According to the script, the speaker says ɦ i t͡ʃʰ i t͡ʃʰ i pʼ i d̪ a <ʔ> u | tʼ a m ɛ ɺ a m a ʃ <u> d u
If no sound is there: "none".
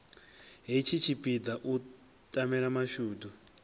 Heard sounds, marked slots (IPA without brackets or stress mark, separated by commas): ʔ, uː